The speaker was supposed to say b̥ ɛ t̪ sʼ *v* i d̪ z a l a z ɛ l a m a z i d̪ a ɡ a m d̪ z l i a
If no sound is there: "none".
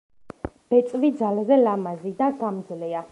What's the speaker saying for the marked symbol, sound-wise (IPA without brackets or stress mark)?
v